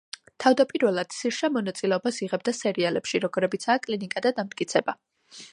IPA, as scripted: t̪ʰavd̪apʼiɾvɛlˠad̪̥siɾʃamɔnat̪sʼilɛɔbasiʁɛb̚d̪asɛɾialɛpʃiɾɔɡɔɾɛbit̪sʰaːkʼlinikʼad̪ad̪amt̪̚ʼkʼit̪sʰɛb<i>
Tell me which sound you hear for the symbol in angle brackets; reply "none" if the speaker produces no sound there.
a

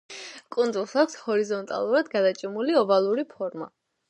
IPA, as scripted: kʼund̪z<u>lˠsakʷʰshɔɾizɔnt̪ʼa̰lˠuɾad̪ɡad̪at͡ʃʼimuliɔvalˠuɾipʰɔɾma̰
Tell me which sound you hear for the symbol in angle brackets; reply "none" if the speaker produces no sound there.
u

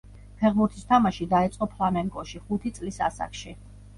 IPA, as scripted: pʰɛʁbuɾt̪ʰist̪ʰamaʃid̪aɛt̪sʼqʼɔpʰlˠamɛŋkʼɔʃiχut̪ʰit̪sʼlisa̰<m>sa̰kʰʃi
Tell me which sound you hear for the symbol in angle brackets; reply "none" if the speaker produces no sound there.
none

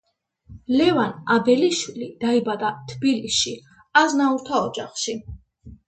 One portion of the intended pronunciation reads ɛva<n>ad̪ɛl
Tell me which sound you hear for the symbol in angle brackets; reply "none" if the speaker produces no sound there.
n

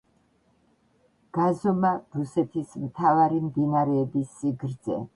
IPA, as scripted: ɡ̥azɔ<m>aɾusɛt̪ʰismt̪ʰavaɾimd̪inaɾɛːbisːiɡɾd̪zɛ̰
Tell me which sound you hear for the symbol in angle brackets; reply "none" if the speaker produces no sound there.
m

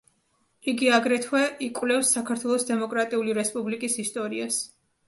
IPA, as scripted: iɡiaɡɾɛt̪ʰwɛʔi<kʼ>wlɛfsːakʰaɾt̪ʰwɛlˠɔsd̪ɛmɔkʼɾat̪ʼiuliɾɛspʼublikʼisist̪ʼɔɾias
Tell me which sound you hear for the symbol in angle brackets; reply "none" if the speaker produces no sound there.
kʼ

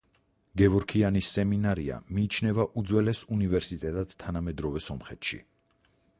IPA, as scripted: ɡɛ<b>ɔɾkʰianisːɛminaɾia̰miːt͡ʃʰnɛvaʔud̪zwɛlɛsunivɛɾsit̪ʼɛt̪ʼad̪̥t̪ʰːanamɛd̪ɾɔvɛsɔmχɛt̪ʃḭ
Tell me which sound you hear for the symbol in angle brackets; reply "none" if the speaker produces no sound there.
v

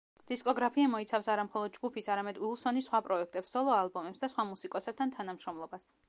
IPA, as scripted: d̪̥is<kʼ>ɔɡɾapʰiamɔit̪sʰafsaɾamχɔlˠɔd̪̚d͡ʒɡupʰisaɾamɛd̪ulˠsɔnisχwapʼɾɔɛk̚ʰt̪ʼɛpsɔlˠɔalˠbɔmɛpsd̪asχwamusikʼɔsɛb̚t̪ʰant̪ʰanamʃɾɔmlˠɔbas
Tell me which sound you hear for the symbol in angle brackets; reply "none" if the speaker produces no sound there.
kʼ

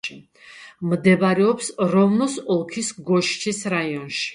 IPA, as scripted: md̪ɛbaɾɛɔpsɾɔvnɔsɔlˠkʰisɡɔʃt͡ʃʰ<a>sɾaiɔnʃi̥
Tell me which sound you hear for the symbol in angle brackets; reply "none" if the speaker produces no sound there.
i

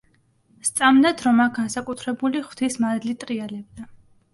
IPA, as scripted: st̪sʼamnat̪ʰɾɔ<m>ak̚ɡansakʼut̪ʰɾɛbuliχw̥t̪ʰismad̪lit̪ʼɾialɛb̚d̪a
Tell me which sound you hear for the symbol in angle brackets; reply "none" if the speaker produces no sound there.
m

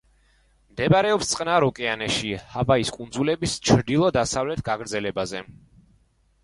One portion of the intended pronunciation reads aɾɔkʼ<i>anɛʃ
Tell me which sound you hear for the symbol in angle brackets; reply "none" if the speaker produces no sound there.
ɛ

